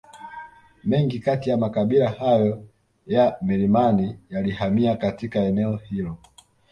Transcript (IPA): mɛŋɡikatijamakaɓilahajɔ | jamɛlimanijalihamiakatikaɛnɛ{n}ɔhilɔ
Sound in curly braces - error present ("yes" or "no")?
yes